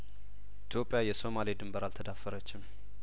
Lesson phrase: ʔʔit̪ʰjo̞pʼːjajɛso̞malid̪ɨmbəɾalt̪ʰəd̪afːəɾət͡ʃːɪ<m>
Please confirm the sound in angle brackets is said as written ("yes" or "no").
yes